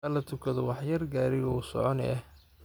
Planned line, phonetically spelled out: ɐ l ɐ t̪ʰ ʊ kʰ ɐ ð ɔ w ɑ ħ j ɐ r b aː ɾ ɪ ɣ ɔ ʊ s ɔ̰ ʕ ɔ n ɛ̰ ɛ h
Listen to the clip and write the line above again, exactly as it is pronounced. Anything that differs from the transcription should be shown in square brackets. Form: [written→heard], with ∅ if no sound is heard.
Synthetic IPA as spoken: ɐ l ɐ t̪ʰ ʊ kʰ ɐ ð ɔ w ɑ ħ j ɐ r [b→ɡ] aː ɾ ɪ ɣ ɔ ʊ s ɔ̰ ʕ ɔ n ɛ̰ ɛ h